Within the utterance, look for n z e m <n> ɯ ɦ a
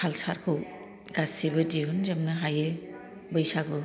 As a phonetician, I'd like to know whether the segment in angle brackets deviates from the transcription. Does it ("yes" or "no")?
no